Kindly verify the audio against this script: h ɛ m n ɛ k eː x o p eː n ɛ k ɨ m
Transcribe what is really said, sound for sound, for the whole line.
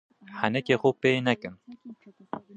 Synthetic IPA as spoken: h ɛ n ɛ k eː x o p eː n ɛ k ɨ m